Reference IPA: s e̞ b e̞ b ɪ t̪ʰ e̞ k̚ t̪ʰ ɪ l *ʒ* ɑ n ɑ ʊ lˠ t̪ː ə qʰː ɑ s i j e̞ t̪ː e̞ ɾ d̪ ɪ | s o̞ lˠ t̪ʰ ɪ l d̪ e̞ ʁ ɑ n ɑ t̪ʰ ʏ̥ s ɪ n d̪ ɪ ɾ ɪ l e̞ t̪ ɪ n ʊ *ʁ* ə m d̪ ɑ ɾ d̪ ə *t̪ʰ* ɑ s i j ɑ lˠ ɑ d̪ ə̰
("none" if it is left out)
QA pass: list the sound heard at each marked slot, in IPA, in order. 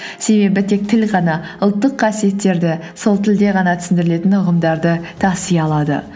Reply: ʁ, ʁ, t̪ʰ

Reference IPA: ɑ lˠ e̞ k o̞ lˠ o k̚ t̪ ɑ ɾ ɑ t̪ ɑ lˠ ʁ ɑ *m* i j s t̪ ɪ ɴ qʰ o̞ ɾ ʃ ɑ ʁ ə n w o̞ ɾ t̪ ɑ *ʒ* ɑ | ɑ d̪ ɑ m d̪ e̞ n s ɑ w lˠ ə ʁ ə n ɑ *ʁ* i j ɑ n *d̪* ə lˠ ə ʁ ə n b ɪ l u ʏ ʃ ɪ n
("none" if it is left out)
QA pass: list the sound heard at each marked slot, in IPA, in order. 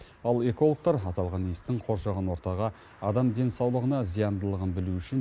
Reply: n, ʁ, z, d̪

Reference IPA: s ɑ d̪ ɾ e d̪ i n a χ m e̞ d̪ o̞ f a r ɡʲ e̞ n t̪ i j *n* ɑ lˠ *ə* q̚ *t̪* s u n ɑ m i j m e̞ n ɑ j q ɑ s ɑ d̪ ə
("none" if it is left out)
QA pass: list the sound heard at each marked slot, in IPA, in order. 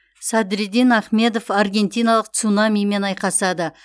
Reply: n, ə, t̪

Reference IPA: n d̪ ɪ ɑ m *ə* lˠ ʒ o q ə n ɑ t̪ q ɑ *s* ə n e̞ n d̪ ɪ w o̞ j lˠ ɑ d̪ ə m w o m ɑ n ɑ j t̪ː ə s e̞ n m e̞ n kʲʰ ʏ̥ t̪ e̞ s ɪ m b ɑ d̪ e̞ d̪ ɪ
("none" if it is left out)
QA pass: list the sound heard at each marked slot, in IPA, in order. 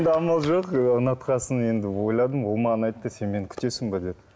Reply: ɑ, s

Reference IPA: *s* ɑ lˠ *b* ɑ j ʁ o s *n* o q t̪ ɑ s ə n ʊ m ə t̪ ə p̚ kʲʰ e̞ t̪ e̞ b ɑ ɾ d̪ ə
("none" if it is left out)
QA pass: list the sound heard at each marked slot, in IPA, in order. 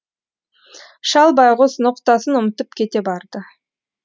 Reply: ʃ, b, n

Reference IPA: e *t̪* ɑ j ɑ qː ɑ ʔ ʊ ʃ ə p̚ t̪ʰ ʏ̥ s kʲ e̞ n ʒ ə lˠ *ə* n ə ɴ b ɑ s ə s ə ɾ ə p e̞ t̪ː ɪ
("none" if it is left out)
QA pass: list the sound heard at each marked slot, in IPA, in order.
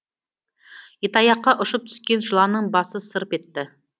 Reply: t̪, ɑ

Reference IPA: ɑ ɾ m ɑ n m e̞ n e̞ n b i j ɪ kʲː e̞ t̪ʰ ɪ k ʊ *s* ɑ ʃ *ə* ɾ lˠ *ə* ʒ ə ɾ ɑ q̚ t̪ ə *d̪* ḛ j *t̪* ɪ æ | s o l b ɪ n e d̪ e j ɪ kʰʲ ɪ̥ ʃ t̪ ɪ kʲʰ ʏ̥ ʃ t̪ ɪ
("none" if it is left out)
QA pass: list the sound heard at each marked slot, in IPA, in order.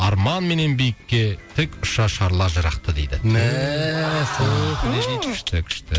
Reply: ʃ, ɑ, ɑ, d̪, d̪

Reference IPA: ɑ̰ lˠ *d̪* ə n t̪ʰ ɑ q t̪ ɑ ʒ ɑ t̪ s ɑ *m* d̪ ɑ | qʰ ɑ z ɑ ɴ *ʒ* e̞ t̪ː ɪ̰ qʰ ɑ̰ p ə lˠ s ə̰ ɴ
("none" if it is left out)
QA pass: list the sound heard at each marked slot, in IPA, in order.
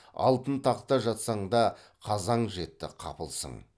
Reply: t̪, ɴ, ʒ

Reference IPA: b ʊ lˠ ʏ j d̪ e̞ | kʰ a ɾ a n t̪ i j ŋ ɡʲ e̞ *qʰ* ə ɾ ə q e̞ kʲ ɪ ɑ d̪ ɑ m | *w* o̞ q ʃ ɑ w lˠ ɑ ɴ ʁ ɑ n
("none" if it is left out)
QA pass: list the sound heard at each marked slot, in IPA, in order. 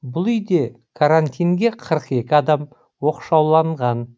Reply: qʰ, w

